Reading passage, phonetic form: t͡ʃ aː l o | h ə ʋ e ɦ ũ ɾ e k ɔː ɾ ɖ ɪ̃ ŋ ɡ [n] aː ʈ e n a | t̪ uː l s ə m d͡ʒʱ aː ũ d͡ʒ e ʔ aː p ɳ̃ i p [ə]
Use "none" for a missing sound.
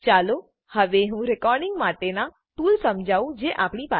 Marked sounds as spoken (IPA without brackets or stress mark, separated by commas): m, a